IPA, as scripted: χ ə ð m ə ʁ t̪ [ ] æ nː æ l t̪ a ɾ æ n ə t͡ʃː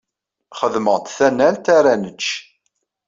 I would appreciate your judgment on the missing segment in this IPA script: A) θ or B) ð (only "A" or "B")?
A